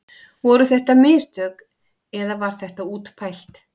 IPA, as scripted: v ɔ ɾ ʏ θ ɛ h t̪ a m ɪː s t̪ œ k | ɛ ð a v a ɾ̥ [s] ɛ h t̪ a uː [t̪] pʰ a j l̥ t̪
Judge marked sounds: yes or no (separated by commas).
no, yes